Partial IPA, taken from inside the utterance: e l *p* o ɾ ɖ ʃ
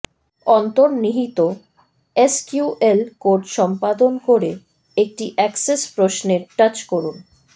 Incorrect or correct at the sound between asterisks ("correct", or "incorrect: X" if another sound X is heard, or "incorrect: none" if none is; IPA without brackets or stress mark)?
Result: incorrect: k